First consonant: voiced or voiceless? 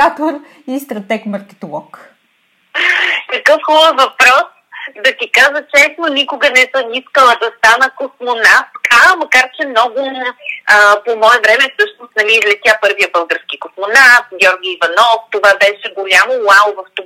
voiceless